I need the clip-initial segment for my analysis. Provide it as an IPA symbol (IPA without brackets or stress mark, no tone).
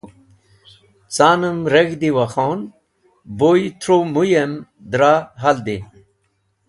t͡s